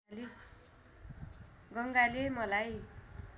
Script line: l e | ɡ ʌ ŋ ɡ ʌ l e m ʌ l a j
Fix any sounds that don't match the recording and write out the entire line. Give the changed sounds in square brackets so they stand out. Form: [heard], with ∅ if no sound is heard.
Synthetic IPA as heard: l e | ɡ ʌ ŋ ɡ [a] l e m ʌ l a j